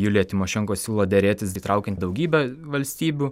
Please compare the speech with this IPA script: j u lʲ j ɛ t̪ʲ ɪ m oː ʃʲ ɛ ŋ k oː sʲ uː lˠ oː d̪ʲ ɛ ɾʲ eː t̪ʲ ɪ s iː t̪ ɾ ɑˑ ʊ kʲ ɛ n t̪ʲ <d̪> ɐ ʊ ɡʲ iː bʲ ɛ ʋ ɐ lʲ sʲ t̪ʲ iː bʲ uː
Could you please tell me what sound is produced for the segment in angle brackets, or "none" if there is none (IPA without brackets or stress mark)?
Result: d̪